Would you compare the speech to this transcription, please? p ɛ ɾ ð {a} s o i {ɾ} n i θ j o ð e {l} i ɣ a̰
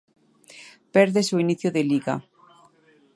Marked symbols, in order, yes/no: no, no, yes

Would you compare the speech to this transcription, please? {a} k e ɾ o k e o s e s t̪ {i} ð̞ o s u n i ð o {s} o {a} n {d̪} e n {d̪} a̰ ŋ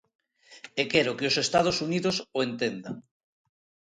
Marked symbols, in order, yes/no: no, no, yes, no, no, yes

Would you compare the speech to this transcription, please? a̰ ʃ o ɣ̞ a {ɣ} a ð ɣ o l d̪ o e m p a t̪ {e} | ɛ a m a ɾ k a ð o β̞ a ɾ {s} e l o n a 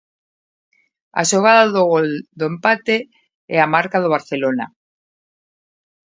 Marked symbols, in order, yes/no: no, yes, no

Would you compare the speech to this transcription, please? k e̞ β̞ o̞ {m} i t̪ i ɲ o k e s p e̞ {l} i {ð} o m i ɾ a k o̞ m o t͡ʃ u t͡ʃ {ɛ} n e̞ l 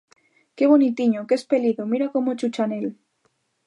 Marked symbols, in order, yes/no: no, yes, yes, no

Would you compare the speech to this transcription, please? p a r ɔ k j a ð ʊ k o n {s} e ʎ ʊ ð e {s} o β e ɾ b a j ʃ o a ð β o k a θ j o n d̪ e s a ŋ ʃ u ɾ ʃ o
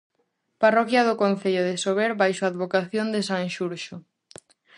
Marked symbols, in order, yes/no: no, yes

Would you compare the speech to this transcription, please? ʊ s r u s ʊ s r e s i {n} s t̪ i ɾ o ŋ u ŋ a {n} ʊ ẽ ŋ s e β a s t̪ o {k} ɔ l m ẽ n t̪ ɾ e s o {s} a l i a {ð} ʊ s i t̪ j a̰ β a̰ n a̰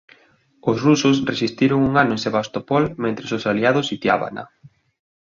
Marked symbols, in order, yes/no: no, yes, no, yes, yes

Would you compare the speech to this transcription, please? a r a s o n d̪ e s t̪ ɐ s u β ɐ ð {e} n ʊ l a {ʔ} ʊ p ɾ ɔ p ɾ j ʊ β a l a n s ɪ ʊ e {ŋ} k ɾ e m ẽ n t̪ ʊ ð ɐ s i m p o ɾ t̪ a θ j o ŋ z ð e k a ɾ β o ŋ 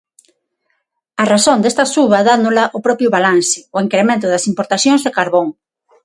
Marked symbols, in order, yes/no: no, yes, yes

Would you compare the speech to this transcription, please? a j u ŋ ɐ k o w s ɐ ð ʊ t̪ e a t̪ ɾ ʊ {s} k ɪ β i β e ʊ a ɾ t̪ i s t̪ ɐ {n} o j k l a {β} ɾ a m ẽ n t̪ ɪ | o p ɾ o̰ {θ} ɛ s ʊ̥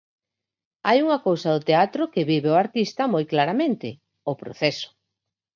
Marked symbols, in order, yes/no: no, no, no, yes

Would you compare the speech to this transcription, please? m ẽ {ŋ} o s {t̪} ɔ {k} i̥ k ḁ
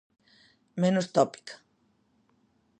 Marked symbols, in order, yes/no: no, yes, no

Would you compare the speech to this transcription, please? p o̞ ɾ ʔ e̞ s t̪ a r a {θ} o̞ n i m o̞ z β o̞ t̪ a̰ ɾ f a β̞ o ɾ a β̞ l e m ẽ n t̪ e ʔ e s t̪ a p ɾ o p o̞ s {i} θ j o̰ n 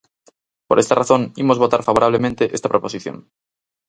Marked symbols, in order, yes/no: yes, yes

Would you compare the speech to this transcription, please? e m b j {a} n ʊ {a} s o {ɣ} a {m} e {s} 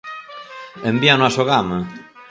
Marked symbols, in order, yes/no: yes, yes, yes, yes, no

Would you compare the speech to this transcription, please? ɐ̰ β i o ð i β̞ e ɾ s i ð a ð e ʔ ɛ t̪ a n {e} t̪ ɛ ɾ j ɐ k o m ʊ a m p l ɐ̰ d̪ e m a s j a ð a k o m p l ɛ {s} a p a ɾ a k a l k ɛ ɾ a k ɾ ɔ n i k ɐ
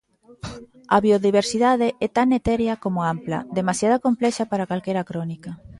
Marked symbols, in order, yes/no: yes, no

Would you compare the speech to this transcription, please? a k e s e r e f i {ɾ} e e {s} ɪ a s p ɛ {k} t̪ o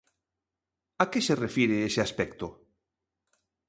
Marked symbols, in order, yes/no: yes, yes, yes

